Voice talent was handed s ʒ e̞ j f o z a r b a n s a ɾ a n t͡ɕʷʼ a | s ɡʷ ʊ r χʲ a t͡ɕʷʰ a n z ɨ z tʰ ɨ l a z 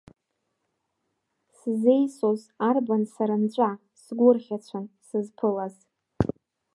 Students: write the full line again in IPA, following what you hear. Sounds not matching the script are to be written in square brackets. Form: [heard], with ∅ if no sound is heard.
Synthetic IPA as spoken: s [z] e̞ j [s] o z a r b a n s a ɾ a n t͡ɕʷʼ a | s ɡʷ ʊ r χʲ a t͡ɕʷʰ a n [s] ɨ z [pʰ] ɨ l a z